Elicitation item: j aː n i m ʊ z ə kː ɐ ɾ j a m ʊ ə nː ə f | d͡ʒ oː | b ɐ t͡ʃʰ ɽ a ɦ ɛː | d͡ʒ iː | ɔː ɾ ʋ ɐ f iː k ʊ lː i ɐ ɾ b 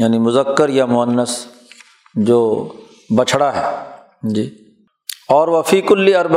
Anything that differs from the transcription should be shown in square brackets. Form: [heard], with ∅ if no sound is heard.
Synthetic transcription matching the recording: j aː n i m ʊ z ə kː [ə] ɾ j a m ʊ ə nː ə [s] | d͡ʒ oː | b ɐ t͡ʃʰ ɽ a ɦ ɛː | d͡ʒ iː | ɔː ɾ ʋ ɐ f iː k ʊ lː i ɐ ɾ b